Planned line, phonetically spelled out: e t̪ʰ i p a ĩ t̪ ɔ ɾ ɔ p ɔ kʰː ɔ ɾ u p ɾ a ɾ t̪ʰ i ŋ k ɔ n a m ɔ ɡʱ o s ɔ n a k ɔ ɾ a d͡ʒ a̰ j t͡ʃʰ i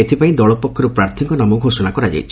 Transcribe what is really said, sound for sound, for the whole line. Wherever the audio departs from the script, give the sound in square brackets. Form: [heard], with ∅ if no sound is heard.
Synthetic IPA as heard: e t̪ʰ i p a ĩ [d̪] ɔ [ɭ] ɔ p ɔ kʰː ɔ ɾ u p ɾ a ɾ t̪ʰ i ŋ k ɔ n a m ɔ ɡʱ o s ɔ n a k ɔ ɾ a d͡ʒ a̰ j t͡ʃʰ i